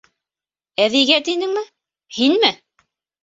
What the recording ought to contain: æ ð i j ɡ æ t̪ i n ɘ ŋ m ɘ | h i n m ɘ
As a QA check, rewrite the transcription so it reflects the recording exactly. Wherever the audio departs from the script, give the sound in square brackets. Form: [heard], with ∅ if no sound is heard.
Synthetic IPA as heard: æ ð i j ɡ æ t̪ i n ɘ ŋ m ɘ | h i n m ɘ

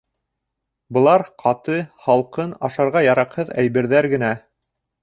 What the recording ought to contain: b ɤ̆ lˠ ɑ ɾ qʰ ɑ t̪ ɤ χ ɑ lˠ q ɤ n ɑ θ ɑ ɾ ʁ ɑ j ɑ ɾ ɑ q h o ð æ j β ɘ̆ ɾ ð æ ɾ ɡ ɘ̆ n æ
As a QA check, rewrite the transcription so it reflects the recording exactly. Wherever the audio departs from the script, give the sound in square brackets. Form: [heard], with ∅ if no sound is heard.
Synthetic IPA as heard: b ɤ̆ lˠ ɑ ɾ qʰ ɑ t̪ ɤ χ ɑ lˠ q ɤ n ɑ [ʃ] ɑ ɾ ʁ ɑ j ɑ ɾ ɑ q h [ɤ] ð æ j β ɘ̆ ɾ ð æ ɾ ɡ ɘ̆ n æ

